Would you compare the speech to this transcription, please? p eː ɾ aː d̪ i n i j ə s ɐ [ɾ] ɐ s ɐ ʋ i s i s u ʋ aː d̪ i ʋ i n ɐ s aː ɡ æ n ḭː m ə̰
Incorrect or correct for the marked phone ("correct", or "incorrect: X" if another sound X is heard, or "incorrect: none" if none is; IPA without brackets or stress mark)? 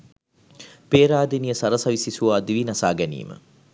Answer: correct